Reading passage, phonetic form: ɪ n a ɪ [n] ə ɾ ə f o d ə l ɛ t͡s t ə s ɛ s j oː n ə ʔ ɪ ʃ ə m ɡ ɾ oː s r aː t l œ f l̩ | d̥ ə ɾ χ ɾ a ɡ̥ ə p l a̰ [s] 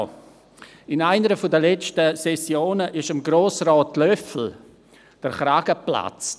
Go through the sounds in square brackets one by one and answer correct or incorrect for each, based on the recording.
correct, incorrect

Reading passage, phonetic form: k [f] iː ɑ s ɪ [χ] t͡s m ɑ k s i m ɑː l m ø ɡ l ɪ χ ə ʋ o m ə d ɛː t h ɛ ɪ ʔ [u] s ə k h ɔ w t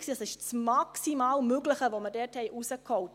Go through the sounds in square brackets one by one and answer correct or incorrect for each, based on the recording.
incorrect, incorrect, correct

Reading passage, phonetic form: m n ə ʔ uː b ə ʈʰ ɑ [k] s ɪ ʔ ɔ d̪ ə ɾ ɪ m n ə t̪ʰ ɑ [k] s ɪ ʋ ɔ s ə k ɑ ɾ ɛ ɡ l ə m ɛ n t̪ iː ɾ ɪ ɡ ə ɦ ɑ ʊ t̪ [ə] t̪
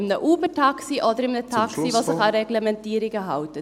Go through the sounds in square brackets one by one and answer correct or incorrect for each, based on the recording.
correct, correct, correct

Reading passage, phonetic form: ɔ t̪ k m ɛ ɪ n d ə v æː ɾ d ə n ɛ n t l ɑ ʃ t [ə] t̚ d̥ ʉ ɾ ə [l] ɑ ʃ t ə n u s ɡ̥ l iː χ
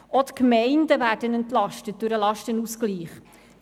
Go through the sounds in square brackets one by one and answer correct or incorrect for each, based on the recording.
correct, correct

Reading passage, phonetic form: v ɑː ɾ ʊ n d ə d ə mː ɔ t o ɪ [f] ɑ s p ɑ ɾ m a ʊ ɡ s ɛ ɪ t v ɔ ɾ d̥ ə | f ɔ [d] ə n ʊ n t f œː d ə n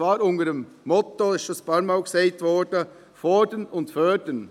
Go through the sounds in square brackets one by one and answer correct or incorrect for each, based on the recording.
incorrect, correct

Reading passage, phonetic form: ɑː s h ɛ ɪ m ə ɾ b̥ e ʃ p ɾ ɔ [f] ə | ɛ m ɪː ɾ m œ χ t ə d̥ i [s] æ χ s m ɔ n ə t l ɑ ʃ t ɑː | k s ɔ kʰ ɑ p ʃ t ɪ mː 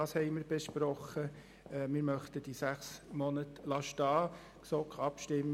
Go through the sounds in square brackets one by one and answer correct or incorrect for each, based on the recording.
incorrect, correct

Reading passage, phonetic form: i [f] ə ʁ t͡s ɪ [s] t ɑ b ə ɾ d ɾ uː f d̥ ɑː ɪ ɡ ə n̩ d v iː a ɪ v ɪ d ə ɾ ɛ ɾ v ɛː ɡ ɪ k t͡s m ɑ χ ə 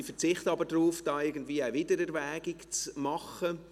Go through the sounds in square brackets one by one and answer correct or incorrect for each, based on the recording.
correct, incorrect

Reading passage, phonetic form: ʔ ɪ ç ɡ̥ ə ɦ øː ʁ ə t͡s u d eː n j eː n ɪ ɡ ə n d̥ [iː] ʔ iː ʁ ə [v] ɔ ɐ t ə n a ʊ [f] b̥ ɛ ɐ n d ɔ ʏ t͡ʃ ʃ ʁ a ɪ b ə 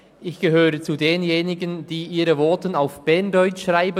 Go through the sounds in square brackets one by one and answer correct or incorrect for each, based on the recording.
correct, correct, correct

